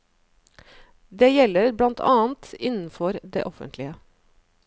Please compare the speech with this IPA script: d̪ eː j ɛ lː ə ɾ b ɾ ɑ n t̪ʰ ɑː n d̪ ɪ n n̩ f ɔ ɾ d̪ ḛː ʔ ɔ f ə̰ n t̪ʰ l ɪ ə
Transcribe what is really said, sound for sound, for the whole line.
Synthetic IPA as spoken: d̪ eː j ɛ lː ə ɾ b l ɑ n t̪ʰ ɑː n t̪ ɪ n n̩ f ɔ ɾ d̪ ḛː ʔ ɔ f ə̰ n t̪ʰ l ɪ ə